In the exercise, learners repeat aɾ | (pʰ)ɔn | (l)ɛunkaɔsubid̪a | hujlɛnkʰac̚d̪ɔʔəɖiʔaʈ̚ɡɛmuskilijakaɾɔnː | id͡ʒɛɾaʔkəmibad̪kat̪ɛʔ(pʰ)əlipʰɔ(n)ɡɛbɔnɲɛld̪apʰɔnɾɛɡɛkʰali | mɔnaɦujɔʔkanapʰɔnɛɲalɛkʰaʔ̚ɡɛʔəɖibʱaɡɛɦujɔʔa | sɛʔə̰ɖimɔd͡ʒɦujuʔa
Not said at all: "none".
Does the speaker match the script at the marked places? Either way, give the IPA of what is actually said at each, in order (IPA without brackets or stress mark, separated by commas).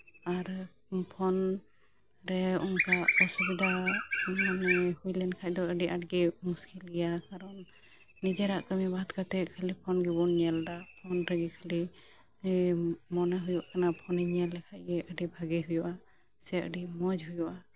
pʰ, ɾ, kʰ, n